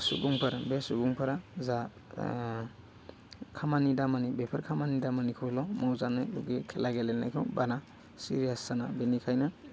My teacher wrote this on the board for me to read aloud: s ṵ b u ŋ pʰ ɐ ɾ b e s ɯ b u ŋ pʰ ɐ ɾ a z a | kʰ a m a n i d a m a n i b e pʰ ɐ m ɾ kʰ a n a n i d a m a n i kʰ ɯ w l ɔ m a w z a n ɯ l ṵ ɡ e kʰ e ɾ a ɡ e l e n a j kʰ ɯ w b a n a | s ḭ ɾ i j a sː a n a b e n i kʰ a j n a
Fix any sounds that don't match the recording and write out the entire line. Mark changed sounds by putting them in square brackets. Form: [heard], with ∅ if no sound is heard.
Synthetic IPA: s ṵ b u ŋ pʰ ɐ ɾ b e s [u] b u ŋ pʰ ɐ ɾ a z a | kʰ a m a n i d a m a n i b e pʰ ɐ [∅] ɾ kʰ a [m] a n i d a m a n i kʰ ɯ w l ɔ m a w z a n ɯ l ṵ ɡ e kʰ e [l] a ɡ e l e n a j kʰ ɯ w b a n a | s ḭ ɾ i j a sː a n a b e n i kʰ a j n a